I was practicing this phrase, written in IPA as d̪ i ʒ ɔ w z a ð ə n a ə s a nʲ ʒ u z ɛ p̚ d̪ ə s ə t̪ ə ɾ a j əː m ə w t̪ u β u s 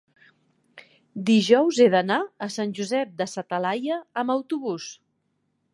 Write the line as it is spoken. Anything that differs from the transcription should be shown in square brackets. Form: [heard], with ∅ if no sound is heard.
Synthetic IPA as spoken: d̪ i ʒ ɔ w z [e] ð ə n a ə s a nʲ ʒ u z ɛ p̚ d̪ ə s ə t̪ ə [l] a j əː m ə w t̪ u β u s